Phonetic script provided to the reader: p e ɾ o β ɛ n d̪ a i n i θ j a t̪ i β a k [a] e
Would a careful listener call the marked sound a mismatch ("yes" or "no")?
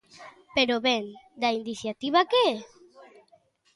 yes